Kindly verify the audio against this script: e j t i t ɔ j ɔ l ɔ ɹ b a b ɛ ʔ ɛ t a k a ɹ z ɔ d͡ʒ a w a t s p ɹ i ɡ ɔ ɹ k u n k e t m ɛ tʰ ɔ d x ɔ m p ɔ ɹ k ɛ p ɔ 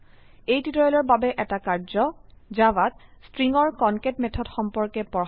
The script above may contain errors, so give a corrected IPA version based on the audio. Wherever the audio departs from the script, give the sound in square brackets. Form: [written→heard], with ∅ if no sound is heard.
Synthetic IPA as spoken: e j t i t ɔ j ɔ l ɔ ɹ b a b ɛ ʔ ɛ t a k a ɹ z ɔ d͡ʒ a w a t s [p→t] ɹ i [ɡ→ŋ] ɔ ɹ k [u→ɔ] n k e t m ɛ tʰ ɔ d x ɔ m p ɔ ɹ k ɛ p ɔ